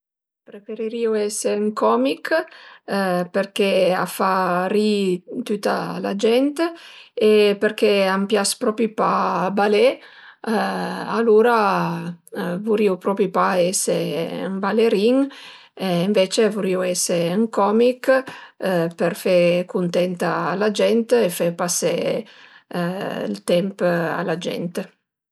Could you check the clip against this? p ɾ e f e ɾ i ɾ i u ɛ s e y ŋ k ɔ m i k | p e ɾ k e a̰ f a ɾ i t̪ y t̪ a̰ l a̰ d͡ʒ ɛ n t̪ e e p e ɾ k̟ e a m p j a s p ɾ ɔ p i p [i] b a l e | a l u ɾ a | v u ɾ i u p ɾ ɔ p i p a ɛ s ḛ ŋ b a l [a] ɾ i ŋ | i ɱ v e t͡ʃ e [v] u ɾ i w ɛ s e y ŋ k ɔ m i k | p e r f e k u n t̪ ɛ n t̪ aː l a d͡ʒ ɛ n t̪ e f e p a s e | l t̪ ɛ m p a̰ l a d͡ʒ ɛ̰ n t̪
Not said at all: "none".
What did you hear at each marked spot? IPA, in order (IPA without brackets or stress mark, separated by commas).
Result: a, e, v